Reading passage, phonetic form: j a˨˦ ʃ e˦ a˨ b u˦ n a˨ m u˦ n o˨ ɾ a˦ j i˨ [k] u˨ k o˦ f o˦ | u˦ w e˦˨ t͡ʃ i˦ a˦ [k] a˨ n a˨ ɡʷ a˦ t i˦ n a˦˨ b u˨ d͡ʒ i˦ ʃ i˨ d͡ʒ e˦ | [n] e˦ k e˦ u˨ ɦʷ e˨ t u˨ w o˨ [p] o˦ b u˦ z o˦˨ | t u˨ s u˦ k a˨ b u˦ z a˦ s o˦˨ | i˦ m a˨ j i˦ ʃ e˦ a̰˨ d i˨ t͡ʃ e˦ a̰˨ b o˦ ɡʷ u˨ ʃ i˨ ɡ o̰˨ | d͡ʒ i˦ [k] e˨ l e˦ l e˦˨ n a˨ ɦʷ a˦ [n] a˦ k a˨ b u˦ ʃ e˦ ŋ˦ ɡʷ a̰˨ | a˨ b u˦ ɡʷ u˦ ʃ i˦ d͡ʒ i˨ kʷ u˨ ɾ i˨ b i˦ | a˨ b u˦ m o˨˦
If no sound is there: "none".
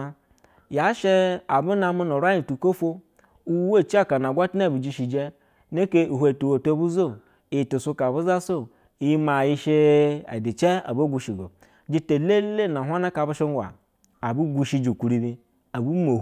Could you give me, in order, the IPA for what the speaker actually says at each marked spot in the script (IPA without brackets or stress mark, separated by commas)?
t, k, n, t, t, n